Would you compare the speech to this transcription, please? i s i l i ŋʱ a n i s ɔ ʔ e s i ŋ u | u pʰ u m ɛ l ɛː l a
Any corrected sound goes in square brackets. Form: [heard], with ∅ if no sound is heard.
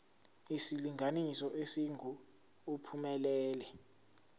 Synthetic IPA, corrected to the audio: i s i l i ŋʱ a n i s ɔ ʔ e s i ŋ u | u pʰ u m ɛ l ɛː l [ɛ]